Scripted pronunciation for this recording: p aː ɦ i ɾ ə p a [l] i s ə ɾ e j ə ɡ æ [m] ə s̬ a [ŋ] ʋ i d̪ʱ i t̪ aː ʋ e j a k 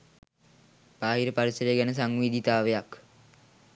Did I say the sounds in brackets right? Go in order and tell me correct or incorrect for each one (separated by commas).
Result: incorrect, incorrect, correct